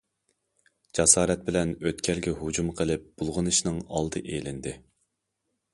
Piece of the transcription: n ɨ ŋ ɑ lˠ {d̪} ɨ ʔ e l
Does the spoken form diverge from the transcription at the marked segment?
no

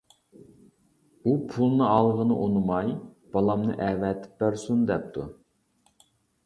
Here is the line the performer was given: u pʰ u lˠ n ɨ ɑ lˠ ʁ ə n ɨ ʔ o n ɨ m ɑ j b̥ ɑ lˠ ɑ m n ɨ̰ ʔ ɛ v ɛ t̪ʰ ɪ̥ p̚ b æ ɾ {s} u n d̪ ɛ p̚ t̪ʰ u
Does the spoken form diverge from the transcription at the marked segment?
no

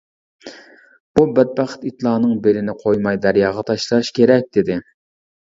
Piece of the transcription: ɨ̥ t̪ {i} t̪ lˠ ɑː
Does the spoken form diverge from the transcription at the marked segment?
no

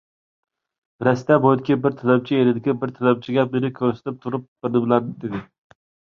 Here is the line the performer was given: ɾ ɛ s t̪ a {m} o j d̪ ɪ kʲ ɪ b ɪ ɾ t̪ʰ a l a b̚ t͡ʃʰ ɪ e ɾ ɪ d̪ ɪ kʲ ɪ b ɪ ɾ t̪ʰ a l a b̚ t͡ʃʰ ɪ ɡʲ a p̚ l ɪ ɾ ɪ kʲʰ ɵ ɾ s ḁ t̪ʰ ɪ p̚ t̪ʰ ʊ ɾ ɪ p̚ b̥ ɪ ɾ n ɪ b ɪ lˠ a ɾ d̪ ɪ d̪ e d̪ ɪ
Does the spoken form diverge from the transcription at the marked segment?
yes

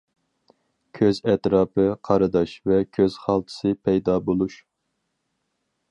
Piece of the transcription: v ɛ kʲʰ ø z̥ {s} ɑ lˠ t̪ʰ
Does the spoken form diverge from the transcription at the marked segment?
yes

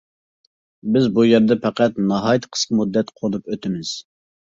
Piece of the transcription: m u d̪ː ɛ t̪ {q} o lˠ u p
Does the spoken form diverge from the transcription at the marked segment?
yes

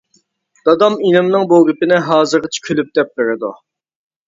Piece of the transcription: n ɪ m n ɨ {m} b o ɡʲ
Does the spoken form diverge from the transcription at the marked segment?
yes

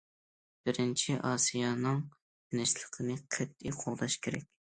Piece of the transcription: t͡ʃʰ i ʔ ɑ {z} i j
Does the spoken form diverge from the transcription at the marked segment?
yes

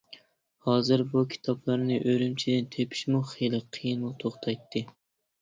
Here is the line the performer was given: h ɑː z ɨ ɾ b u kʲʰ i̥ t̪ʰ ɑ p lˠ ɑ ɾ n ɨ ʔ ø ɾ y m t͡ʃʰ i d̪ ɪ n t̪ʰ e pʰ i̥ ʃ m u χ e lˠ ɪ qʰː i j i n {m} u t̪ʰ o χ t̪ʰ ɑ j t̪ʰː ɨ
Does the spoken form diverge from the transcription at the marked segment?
no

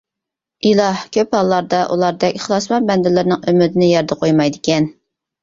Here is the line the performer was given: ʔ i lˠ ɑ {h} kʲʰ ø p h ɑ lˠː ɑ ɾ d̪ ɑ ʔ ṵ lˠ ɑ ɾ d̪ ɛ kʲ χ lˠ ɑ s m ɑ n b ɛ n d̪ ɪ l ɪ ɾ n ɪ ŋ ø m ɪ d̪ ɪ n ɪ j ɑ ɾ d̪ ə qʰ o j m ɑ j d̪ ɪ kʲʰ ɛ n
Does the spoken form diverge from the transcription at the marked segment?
no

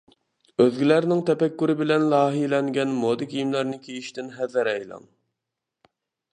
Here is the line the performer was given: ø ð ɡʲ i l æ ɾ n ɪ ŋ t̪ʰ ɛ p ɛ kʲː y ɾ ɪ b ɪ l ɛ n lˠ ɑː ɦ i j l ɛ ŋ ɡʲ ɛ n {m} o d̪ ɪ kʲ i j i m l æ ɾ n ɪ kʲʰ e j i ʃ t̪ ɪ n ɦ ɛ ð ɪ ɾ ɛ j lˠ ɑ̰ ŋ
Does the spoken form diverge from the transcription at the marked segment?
no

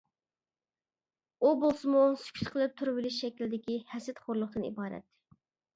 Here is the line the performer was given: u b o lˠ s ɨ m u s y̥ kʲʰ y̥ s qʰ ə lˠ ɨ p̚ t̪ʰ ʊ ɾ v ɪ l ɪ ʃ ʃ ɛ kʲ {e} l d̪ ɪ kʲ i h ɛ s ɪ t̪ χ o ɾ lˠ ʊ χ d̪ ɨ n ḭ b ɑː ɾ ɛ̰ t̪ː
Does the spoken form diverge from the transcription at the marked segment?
yes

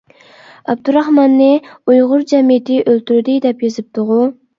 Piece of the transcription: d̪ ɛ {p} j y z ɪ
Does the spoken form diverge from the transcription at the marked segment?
no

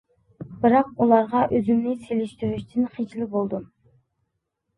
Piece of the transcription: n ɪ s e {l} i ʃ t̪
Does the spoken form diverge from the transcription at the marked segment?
no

